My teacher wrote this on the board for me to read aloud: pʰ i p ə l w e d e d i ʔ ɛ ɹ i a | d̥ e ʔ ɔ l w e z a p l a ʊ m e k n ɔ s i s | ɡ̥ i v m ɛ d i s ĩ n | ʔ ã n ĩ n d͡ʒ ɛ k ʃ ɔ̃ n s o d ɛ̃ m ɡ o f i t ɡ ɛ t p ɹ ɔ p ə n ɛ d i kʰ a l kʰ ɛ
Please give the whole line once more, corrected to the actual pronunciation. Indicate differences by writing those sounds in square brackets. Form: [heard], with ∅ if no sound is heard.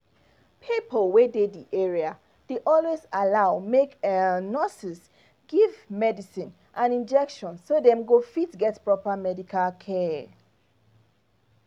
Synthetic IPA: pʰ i p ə l w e d e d i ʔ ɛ ɹ i a | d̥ e ʔ ɔ l w e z a [∅] l a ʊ m e k n ɔ s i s | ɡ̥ i v m ɛ d i s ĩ n | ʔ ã n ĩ n d͡ʒ ɛ k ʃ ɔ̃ n s o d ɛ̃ m ɡ o f i t ɡ ɛ t p ɹ ɔ p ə [m] ɛ d i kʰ a l kʰ ɛ